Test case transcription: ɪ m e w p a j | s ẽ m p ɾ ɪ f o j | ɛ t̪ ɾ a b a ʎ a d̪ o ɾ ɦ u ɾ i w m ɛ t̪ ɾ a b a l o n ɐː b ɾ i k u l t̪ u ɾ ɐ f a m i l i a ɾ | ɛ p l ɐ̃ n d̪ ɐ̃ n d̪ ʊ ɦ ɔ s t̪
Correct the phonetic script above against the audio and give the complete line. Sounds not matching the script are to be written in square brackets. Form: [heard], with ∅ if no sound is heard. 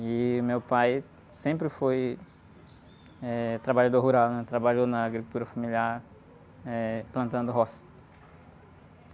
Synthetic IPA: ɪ m e w p a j | s ẽ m p ɾ ɪ f o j | ɛ t̪ ɾ a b a ʎ a d̪ o ɾ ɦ u ɾ [a] w [n] ɛ t̪ ɾ a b a [ʎ] o n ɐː [ɡ] ɾ i k u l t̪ u ɾ ɐ f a m i l i a ɾ | ɛ p l ɐ̃ n [t̪] ɐ̃ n d̪ ʊ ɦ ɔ s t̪